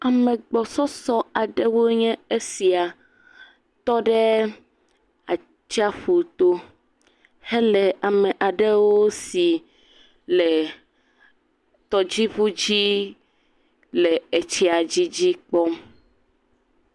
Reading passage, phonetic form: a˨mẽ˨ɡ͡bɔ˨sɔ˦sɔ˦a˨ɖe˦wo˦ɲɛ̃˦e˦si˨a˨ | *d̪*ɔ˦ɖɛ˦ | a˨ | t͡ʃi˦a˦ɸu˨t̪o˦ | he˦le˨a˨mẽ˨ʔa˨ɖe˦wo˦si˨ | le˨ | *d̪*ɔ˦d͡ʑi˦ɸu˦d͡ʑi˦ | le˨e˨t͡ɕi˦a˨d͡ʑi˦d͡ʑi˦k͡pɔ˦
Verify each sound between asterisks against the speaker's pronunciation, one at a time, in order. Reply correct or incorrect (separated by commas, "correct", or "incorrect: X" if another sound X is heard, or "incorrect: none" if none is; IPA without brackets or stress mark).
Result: incorrect: t̪, incorrect: t̪